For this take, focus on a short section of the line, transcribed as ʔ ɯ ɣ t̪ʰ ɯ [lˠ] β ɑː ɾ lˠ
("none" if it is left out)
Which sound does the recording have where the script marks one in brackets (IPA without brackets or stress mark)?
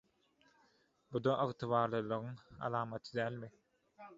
none